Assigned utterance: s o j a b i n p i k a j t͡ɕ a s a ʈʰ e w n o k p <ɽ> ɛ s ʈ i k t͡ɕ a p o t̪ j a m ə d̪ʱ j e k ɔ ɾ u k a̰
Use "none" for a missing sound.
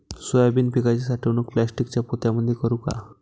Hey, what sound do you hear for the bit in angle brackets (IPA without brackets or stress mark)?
l